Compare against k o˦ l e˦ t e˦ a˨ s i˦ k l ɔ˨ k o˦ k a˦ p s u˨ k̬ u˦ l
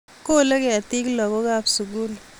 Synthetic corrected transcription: k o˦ l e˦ k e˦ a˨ t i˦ k l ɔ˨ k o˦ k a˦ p s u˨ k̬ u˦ l